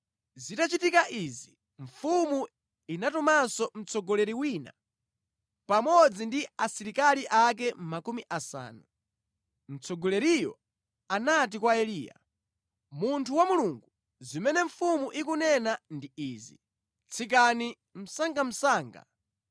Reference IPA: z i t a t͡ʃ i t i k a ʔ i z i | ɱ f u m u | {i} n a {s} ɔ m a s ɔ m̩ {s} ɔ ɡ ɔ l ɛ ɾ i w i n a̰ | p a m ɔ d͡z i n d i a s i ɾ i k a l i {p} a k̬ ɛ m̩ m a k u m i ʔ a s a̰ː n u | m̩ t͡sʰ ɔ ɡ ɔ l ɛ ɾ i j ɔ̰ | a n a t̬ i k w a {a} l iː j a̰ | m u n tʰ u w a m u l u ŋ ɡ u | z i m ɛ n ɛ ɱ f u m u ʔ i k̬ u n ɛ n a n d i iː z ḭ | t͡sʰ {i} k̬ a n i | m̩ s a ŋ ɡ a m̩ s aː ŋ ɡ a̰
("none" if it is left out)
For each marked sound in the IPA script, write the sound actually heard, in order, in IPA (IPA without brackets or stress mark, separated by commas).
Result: i, t, t͡s, ʔ, ɛ, i